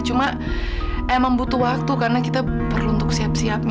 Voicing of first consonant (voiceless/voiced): voiceless